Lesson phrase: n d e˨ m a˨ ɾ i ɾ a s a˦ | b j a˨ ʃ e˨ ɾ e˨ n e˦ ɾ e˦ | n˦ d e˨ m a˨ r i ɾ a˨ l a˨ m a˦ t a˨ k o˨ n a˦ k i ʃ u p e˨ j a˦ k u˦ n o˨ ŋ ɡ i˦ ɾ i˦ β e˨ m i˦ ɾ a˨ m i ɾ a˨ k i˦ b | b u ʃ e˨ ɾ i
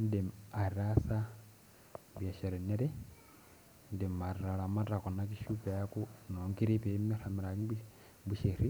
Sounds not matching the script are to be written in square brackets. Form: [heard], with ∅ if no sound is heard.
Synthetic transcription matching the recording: n d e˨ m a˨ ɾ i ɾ a s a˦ | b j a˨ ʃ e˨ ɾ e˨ n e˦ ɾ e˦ | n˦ d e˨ m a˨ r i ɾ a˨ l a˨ m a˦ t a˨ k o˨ n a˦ k i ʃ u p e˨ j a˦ k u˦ n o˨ ŋ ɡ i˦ ɾ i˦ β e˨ m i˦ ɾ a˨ m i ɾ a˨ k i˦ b | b u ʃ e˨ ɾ i

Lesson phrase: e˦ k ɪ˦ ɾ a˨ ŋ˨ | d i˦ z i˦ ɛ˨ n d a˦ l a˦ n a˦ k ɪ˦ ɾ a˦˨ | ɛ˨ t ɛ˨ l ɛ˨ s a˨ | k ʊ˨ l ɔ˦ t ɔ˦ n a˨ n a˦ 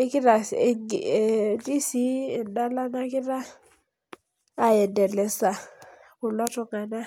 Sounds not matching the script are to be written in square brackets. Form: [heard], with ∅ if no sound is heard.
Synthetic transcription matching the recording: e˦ k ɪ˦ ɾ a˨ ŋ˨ | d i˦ [s] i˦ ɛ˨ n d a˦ l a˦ n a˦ k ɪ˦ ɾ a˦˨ | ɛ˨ [d] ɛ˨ l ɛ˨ s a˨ | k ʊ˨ l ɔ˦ t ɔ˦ [ŋ] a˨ n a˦

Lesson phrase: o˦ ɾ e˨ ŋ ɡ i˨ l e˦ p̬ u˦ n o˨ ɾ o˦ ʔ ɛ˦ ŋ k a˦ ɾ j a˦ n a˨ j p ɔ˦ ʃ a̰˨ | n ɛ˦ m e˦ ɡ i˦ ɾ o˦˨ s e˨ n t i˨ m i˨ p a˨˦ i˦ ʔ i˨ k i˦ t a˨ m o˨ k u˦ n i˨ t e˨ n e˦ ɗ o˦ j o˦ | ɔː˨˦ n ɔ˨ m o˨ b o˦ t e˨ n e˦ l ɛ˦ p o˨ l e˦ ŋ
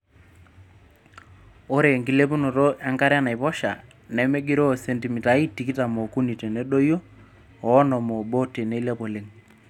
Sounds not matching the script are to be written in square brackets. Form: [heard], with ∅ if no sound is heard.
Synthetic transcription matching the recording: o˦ ɾ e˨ ŋ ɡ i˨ l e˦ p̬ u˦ n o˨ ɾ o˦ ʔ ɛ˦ ŋ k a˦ ɾ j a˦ n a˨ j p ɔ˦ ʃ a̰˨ | n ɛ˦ m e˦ ɡ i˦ ɾ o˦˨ s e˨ n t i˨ m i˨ [t] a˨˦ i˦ [t] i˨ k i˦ t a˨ m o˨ k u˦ n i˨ t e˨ n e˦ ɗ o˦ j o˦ | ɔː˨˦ n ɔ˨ m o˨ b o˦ t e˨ n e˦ l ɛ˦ p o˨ l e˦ ŋ

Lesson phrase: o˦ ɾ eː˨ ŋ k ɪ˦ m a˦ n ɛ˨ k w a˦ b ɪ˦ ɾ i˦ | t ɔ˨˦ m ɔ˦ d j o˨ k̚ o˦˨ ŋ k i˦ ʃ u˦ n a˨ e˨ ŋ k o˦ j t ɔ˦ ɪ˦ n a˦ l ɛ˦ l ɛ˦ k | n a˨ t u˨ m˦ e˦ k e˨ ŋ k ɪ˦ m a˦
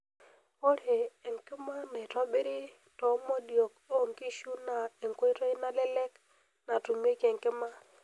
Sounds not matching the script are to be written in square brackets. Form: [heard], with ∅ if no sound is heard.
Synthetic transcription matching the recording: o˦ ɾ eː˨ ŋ k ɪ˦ m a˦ n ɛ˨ [t] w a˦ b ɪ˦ ɾ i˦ | t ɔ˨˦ m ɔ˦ d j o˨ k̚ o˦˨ ŋ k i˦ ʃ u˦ n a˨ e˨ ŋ k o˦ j t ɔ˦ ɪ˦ n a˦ l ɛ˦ l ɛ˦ k | n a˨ t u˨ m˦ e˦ k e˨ ŋ k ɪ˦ m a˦

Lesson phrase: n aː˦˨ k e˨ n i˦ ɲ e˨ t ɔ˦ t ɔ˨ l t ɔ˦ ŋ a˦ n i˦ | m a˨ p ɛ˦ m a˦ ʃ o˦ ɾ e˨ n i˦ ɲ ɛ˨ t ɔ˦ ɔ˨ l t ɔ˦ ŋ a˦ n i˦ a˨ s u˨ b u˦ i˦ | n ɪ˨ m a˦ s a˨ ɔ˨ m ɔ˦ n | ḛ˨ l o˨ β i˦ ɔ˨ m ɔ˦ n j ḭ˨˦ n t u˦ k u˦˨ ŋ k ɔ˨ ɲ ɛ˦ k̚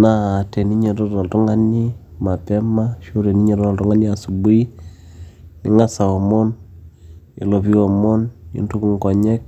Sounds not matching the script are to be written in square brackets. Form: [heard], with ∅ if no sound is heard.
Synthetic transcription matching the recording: n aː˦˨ [t] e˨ n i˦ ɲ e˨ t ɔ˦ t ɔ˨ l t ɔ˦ ŋ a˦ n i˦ | m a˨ p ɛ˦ m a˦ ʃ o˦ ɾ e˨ n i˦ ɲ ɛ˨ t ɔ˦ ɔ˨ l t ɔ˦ ŋ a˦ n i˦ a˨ s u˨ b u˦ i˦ | n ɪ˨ [ŋ] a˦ s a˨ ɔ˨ m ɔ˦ n | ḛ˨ l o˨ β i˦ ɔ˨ m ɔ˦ n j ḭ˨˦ n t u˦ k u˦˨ ŋ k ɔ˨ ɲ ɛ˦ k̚

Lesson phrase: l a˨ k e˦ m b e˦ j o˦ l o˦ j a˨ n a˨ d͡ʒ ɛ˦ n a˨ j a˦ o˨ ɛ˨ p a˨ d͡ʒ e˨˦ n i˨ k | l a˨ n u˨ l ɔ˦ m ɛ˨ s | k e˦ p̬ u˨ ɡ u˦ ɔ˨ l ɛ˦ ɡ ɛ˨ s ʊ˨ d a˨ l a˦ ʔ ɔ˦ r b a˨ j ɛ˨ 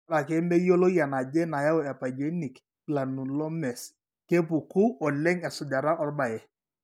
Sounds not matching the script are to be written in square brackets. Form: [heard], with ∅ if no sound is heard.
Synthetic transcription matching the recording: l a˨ k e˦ m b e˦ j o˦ l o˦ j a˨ n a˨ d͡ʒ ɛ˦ n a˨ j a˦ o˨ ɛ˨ p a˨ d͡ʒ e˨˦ n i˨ k | l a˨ n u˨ l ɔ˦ m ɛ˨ s | k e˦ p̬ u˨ [k] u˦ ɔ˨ l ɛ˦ [ŋ] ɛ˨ s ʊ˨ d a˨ [ɾ] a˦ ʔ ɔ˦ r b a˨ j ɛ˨

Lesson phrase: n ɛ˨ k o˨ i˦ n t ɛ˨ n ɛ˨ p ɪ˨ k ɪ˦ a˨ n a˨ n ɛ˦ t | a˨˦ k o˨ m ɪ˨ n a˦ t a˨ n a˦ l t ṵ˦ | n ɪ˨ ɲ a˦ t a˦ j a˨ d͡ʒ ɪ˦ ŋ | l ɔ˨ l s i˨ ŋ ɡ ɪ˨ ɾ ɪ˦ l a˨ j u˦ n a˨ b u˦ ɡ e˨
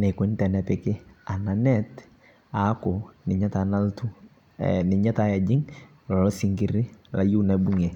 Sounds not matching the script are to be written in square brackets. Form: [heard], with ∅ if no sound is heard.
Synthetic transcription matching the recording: n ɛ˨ k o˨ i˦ n t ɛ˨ n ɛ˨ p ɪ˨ k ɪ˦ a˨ n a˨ n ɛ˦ t | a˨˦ k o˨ [n] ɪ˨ [ɲ] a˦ t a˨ n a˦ l t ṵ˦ | n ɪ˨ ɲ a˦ t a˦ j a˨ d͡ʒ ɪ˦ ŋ | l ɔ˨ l s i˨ ŋ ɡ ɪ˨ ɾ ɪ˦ l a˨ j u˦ n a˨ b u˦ [ŋ] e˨

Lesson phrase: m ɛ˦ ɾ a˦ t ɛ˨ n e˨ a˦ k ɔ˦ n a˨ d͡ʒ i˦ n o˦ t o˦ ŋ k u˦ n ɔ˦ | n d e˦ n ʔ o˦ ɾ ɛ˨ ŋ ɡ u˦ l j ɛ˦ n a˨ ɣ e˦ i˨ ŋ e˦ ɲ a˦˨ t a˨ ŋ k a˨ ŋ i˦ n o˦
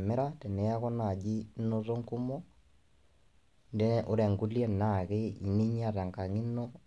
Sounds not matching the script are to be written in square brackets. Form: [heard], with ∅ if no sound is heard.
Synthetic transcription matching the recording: m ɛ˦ ɾ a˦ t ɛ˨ n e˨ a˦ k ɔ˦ n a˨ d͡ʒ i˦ n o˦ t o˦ ŋ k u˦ [m] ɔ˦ | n d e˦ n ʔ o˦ ɾ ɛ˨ ŋ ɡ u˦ l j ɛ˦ n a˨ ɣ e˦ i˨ [n] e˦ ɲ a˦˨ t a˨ ŋ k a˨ ŋ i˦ n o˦

